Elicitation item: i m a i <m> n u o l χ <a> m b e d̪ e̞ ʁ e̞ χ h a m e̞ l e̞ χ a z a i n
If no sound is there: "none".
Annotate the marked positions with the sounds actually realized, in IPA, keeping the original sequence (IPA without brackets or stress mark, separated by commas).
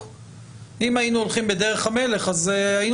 none, i